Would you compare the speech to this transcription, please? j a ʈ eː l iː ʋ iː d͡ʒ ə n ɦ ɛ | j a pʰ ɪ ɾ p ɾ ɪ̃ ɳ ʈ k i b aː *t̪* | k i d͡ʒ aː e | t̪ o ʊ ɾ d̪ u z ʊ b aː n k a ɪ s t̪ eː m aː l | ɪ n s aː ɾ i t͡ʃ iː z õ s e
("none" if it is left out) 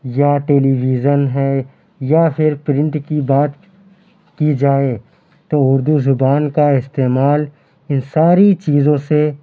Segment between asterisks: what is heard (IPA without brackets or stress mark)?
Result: t̪